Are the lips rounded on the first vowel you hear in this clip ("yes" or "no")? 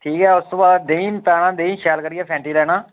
no